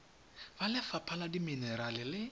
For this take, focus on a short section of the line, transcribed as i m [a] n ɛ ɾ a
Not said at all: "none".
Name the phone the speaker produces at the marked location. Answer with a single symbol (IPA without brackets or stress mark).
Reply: i